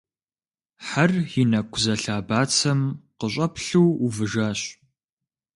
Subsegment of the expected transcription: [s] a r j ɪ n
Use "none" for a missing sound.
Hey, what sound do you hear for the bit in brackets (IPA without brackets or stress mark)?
ħ